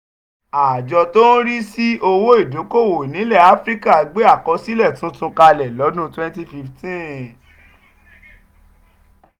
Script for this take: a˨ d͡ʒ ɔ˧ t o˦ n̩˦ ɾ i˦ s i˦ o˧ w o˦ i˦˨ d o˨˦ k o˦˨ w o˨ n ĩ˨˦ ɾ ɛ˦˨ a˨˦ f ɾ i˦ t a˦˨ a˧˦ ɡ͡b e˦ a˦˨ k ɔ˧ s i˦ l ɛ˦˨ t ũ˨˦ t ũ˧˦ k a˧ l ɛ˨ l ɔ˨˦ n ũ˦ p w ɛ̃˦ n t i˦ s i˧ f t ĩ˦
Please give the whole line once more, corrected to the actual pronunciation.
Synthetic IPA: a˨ d͡ʒ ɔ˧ t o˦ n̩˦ ɾ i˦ s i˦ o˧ w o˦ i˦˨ d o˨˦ k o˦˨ w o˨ n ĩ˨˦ l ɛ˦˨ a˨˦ f ɾ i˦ k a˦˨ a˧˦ ɡ͡b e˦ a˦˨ k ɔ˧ s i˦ l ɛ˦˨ t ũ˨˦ t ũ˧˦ k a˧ l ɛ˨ l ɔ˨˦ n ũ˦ t w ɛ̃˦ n t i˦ f i˧ f t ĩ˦